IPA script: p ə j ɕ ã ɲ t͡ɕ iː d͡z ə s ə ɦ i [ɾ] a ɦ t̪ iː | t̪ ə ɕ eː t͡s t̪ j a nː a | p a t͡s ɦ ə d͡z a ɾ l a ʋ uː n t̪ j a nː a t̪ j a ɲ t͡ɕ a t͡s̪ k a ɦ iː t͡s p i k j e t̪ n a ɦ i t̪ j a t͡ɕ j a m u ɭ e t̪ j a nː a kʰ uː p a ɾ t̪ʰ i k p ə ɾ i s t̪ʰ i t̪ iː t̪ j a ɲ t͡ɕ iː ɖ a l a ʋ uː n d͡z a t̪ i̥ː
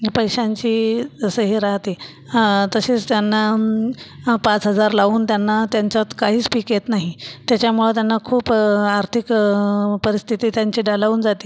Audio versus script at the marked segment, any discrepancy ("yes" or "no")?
no